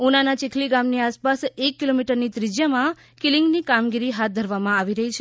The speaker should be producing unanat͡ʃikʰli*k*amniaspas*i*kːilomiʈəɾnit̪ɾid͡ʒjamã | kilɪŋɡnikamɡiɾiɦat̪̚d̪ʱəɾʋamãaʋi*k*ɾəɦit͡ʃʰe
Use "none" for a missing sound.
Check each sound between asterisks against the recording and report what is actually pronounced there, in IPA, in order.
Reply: ɡ, e, none

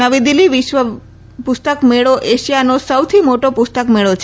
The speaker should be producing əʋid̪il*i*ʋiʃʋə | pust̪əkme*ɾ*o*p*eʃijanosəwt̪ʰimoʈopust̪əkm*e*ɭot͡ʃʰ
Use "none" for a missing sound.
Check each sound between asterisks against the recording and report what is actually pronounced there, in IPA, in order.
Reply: i, ɭ, ʔ, e

